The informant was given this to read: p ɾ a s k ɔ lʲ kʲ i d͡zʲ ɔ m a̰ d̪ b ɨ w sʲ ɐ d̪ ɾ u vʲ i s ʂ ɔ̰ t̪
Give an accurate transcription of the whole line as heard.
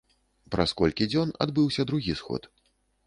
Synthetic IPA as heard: p ɾ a s k ɔ lʲ kʲ i d͡zʲ ɔ n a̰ d̪ b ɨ w sʲ ɐ d̪ ɾ u ɣʲ i s x ɔ̰ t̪

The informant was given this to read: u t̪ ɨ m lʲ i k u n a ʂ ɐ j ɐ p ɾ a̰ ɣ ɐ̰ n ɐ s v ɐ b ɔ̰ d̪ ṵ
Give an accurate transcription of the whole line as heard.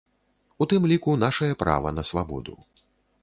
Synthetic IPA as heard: u t̪ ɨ m lʲ i k u n a ʂ ɐ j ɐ p ɾ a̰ v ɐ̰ n ɐ s v a b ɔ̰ d̪ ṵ

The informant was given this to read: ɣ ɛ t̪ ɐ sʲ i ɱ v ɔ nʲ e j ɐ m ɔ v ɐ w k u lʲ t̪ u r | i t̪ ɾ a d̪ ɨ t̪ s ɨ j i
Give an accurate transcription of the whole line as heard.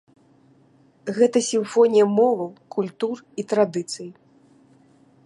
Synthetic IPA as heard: ɣ ɛ t̪ ɐ sʲ i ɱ f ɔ nʲ i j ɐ m ɔ v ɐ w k u lʲ t̪ u r | i t̪ ɾ a d̪ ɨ t̪ s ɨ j i

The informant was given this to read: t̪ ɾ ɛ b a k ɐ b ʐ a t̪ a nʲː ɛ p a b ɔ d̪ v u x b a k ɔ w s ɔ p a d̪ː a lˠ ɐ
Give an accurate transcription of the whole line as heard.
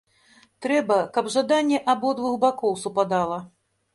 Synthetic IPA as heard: t̪ ɾ ɛ b ɐ k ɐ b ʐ a d̪ a nʲː ɛ ʔ a b ɔ d̪ v u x b a k ɔ w s u p a d̪ a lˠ ɐ

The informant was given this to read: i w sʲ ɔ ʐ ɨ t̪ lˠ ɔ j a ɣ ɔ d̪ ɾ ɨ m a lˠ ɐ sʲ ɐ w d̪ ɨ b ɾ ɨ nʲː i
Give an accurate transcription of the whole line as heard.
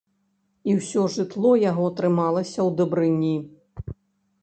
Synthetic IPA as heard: i w sʲ ɔ ʐ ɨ t̪ lˠ ɔ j a ɣ ɔ t̪ ɾ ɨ m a lˠ ɐ sʲ ɐ w d̪ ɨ b ɾ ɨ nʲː i

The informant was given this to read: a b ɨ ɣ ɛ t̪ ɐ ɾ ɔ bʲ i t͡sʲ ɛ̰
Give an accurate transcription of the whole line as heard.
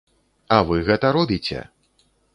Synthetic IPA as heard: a v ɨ ɣ ɛ t̪ ɐ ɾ ɔ bʲ i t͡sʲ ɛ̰

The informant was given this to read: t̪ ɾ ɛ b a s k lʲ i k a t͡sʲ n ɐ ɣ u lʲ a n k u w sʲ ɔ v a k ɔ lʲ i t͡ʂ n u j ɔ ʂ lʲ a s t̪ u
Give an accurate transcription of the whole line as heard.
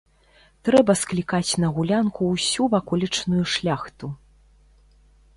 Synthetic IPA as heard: t̪ ɾ ɛ b ɐ s k lʲ i k a t͡sʲ n ɐ ɣ u lʲ a n k u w sʲ u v a k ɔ lʲ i t͡ʂ n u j u ʂ lʲ a x t̪ u

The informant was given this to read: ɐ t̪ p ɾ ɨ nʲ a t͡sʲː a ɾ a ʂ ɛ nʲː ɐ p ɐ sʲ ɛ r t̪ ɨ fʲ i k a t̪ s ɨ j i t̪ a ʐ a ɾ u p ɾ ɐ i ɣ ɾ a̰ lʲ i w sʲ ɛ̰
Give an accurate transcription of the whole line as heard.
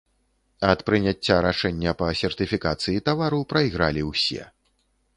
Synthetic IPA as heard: ɐ t̪ p ɾ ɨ nʲ a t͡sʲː a ɾ a ʂ ɛ nʲː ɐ p ɐ sʲ ɛ r t̪ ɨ fʲ i k a t̪ s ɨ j i t̪ a v a ɾ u p ɾ ɐ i ɣ ɾ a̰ lʲ i w sʲ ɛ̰

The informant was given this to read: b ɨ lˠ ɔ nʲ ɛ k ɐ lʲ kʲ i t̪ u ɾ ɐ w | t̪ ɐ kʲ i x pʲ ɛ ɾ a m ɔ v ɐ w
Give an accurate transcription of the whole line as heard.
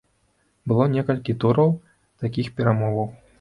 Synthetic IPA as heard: b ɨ lˠ ɔ nʲ ɛ k ɐ lʲ kʲ i t̪ u ɾ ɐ w | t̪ a kʲ i x pʲ ɛ ɾ a m ɔ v ɐ w

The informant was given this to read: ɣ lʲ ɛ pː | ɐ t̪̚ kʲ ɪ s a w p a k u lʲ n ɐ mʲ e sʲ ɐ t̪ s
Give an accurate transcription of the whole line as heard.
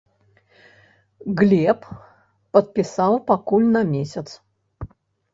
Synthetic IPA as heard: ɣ lʲ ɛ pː | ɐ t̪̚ pʲ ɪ s a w p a k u lʲ n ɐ mʲ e sʲ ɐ t̪ s

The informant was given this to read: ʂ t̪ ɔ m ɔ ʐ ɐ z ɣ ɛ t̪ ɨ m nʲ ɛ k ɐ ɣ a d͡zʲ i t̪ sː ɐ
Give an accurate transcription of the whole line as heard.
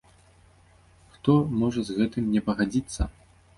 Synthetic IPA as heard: x t̪ ɔ m ɔ ʐ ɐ z ɣ ɛ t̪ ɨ m nʲ ɛ p ɐ ɣ a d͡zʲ i t̪ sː ɐ

